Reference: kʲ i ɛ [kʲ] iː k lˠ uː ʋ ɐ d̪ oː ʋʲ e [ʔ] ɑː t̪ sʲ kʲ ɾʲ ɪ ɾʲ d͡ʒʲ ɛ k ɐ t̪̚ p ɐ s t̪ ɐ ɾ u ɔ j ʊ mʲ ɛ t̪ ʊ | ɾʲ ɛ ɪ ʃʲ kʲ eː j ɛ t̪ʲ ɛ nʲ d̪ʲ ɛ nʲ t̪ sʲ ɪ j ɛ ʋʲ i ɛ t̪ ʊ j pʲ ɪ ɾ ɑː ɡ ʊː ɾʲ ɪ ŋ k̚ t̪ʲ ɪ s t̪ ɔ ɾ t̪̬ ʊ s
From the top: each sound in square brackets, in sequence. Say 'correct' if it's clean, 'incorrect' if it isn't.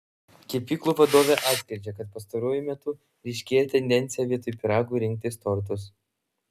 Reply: incorrect, correct

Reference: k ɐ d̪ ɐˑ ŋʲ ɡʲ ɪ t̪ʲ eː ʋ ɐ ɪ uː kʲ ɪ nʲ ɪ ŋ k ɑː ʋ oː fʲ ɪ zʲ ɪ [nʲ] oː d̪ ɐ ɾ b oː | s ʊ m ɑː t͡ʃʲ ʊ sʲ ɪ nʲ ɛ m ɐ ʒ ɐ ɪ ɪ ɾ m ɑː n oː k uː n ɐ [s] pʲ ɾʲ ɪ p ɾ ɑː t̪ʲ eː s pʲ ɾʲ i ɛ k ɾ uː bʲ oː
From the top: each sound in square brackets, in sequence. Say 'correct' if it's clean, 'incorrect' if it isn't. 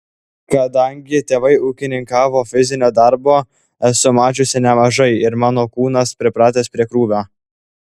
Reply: correct, correct

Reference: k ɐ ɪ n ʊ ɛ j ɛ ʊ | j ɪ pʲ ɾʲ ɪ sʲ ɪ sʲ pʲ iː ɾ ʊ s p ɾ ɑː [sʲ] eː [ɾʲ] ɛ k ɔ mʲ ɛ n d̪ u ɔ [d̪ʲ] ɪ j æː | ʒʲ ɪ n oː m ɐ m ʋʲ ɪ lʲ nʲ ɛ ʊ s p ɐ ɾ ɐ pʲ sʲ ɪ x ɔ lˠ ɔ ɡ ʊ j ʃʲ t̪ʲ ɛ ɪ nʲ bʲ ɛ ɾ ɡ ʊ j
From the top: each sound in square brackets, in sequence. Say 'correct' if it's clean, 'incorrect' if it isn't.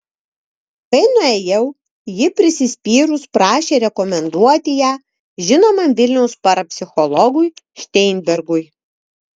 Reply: incorrect, correct, incorrect

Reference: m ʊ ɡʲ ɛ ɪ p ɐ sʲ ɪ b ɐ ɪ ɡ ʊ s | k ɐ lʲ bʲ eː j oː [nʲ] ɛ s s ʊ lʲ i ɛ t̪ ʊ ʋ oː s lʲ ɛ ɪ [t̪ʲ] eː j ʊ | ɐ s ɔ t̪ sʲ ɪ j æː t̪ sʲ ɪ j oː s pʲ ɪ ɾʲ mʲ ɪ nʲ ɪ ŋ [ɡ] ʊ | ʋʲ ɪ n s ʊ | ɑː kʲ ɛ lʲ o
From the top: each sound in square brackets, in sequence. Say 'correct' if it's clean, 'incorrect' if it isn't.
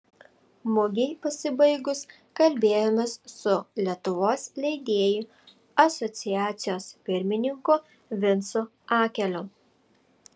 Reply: incorrect, incorrect, incorrect

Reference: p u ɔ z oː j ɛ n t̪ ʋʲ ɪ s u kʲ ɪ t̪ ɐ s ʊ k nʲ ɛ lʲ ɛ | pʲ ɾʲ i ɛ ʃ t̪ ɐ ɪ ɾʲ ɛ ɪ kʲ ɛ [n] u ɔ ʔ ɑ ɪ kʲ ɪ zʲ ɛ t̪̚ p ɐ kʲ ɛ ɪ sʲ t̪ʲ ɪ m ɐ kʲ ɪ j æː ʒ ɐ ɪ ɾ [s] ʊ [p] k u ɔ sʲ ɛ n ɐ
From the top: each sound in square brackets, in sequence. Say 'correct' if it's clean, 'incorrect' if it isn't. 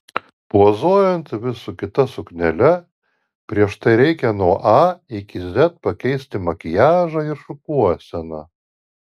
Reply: correct, incorrect, incorrect

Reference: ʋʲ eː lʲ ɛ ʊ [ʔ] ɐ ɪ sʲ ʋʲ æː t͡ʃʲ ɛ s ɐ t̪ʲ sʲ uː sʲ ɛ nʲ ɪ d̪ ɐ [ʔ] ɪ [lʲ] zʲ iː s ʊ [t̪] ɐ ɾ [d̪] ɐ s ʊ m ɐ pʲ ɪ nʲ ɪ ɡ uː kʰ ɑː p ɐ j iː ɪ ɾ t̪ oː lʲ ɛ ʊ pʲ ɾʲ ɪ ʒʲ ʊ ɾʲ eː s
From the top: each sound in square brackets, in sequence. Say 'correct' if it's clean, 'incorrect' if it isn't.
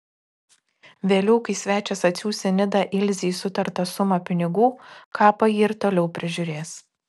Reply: incorrect, correct, correct, correct, incorrect

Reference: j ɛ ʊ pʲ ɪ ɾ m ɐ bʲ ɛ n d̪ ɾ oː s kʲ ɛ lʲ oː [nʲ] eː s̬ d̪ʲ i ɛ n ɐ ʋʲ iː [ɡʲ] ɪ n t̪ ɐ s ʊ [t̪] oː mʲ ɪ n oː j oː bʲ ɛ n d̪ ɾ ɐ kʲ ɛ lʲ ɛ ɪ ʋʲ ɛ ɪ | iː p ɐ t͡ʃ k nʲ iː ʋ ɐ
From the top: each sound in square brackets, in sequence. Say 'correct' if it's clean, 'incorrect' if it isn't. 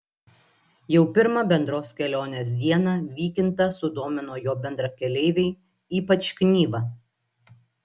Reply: correct, incorrect, incorrect

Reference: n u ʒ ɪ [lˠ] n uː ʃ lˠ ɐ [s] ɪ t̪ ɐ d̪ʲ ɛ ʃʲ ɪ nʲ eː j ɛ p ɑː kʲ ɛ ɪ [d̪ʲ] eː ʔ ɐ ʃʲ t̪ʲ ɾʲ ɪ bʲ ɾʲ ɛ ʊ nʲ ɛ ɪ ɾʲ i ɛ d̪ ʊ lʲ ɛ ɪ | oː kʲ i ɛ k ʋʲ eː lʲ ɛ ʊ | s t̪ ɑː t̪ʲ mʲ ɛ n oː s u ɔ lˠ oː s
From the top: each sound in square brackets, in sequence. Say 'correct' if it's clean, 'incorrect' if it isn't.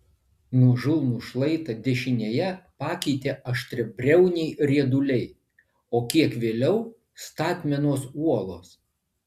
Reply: correct, incorrect, incorrect

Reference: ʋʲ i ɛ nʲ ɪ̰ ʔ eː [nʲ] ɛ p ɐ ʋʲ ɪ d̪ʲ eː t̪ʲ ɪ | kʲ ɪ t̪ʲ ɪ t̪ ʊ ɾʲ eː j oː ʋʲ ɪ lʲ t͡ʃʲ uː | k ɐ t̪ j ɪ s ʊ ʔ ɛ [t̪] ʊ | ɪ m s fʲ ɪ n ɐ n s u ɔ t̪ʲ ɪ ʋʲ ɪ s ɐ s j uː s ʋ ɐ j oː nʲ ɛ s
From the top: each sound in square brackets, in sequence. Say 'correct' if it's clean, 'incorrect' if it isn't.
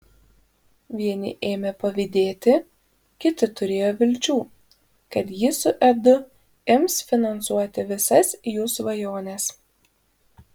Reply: incorrect, incorrect

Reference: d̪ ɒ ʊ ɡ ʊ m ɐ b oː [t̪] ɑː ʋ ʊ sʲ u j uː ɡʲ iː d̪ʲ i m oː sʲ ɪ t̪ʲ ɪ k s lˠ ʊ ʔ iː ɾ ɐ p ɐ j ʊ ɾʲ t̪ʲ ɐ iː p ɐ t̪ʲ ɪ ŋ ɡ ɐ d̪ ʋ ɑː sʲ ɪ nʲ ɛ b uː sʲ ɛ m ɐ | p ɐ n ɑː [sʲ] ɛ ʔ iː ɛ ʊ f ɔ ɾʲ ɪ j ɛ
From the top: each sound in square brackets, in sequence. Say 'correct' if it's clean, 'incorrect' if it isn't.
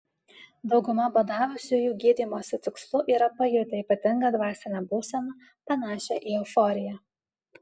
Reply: incorrect, incorrect

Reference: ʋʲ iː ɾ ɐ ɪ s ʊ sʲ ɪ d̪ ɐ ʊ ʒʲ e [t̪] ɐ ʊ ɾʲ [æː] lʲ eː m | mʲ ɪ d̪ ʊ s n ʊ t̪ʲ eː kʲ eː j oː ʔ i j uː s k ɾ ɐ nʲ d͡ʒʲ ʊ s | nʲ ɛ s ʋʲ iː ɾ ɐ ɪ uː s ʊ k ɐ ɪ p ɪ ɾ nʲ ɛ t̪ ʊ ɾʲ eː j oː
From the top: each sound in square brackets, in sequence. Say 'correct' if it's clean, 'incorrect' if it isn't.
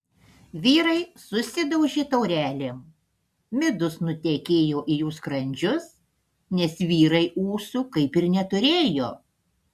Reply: correct, correct

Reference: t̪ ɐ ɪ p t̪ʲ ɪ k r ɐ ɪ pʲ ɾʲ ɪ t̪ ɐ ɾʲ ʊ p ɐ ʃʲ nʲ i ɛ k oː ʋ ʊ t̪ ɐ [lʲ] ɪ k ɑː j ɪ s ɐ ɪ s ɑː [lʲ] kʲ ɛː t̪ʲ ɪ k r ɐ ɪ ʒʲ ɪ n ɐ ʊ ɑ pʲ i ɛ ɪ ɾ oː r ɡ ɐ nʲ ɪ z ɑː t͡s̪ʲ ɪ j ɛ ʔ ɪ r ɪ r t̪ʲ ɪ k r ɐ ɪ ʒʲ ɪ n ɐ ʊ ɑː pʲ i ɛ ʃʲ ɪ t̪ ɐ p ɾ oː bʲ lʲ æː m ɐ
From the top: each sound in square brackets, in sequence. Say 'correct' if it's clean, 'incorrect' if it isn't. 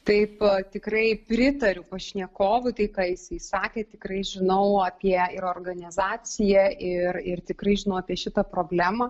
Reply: incorrect, incorrect

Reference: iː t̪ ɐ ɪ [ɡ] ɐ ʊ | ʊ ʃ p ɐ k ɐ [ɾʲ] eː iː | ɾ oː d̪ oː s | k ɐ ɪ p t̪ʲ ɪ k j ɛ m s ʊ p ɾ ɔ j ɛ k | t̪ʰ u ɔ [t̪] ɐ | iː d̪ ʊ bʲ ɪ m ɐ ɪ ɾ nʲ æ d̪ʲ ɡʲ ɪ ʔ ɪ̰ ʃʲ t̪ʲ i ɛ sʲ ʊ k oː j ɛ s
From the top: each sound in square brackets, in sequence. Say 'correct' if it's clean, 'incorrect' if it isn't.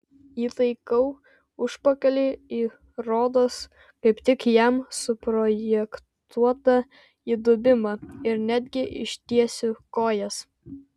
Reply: incorrect, incorrect, correct

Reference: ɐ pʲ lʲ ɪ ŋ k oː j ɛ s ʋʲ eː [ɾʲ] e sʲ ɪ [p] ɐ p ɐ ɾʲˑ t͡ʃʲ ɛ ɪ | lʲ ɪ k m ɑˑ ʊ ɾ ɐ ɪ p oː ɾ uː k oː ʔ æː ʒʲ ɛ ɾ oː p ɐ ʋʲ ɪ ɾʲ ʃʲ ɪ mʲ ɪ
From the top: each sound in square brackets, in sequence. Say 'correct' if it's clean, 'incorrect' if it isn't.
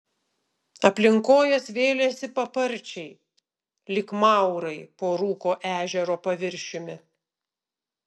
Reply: incorrect, correct

